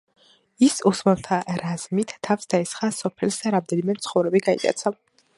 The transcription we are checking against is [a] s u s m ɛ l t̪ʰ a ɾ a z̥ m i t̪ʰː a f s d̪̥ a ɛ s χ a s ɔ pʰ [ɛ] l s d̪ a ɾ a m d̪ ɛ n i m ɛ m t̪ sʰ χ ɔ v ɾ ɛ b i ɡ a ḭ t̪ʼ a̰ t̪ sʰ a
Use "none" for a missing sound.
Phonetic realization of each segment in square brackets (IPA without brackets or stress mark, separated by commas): i, ɛ